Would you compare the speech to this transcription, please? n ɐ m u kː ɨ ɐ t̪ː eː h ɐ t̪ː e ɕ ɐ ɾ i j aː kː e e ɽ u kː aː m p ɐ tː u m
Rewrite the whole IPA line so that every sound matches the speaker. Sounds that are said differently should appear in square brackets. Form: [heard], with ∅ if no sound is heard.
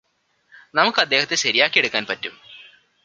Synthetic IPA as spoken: n ɐ m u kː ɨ ɐ [d̪ː] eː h ɐ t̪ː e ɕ ɐ ɾ i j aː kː [i] e ɽ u kː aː [n] p ɐ tː u m